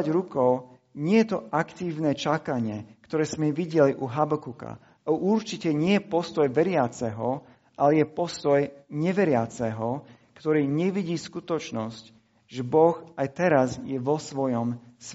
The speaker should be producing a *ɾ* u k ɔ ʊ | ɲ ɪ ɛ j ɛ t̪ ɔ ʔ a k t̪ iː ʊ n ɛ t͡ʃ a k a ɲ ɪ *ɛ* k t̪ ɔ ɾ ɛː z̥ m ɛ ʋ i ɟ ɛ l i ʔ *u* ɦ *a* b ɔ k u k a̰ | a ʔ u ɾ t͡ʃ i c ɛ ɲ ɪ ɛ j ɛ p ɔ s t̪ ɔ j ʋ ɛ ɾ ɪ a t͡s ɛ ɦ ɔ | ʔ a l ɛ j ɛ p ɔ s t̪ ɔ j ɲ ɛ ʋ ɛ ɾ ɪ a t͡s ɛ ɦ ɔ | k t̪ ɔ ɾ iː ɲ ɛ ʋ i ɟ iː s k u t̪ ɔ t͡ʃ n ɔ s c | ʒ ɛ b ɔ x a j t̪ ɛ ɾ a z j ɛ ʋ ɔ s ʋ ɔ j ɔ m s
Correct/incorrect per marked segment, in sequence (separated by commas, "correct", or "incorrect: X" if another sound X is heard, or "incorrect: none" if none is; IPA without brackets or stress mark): correct, correct, correct, correct